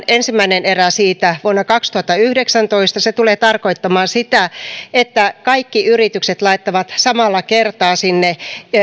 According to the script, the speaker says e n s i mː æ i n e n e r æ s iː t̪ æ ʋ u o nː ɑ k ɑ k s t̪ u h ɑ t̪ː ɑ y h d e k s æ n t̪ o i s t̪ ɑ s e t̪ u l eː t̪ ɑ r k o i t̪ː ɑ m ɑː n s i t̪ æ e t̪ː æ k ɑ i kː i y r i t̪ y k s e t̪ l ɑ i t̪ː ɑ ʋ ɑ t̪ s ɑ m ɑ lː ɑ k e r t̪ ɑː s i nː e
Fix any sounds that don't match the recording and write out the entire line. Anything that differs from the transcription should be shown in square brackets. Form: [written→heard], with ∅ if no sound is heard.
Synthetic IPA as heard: e n s i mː æ i n e n e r æ s iː t̪ æ ʋ u o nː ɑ k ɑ k s t̪ u h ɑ t̪ː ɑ y h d e k s æ n t̪ o i s t̪ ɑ s e t̪ u l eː t̪ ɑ r k o i t̪ː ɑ m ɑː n s i t̪ æ e t̪ː æ k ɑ i kː i y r i t̪ y k s e t̪ l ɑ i t̪ː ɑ ʋ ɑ t̪ s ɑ m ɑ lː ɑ k e r t̪ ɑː s i nː e

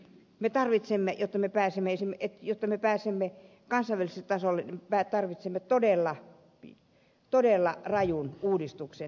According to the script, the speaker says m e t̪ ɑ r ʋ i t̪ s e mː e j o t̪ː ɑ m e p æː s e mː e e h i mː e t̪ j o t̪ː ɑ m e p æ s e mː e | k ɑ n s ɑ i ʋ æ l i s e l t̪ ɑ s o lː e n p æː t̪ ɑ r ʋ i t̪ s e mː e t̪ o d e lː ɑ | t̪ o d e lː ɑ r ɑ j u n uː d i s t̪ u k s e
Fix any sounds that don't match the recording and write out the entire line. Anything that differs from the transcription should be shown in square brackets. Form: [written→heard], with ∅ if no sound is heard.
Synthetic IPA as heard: m e t̪ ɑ r ʋ i t̪ s e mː e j o t̪ː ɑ m e p æː s e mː e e [h→s] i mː e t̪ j o t̪ː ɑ m e p [æ→æː] s e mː e | k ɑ n s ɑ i ʋ æ l i s e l t̪ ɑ s o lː e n p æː t̪ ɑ r ʋ i t̪ s e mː e t̪ o d e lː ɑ | t̪ o d e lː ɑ r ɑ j u n uː d i s t̪ u k s e

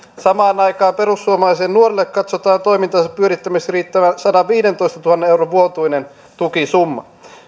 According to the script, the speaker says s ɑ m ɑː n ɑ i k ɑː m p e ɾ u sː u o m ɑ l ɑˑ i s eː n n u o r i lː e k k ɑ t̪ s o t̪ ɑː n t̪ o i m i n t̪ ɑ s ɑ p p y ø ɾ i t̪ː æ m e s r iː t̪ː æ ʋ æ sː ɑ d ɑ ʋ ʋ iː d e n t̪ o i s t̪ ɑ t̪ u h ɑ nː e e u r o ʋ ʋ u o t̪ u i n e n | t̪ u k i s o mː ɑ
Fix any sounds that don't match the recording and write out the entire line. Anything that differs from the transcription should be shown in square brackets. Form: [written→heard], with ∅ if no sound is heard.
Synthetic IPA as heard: s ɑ m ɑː n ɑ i k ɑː m p e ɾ u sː u o m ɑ l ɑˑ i s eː n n u o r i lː e k k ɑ t̪ s o t̪ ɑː n t̪ o i m i n t̪ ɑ s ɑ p p y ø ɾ i t̪ː æ m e s r iː t̪ː æ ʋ æ [sː→s] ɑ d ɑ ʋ ʋ iː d e n t̪ o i s t̪ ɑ t̪ u h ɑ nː e e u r o ʋ ʋ u o t̪ u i n e n | t̪ u k i s [o→u] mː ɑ

